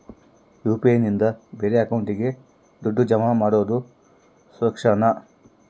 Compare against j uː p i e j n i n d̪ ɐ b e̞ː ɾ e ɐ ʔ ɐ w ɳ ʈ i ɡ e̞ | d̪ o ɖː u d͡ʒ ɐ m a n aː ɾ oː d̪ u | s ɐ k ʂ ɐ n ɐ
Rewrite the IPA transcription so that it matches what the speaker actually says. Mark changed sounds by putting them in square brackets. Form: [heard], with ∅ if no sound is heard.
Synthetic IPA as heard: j uː p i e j n i n d̪ ɐ b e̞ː ɾ e ɐ [k] ɐ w ɳ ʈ i ɡ e̞ | d̪ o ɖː u d͡ʒ ɐ m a [m] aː [ɽ] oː d̪ u | s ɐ k ʂ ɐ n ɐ